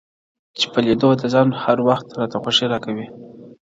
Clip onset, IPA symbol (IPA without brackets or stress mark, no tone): t͡ʃ